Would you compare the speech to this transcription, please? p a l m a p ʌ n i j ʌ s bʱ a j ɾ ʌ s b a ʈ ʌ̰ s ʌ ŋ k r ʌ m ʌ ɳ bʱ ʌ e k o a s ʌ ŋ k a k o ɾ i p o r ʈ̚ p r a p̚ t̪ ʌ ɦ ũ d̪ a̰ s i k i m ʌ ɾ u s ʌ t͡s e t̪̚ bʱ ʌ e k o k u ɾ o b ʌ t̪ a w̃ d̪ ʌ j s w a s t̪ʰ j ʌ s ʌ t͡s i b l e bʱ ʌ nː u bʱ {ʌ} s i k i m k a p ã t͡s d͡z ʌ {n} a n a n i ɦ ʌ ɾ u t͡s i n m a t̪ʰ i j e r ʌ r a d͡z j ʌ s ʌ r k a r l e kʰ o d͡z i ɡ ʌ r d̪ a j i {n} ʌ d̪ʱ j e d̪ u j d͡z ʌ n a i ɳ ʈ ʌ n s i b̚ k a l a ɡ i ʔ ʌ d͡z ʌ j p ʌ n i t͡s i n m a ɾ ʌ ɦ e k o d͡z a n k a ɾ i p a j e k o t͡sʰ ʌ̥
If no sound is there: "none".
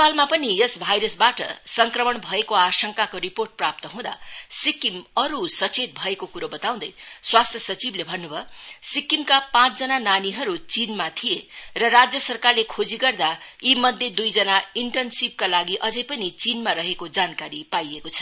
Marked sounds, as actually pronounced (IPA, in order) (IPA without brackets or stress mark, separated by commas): ʌ, n, m